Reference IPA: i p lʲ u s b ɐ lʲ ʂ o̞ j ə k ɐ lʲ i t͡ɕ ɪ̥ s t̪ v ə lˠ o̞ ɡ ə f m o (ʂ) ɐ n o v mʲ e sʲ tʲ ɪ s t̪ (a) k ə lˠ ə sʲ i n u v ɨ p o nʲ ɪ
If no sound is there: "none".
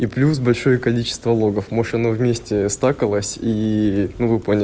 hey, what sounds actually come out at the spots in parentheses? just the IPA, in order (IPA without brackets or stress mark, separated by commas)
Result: ʂ, a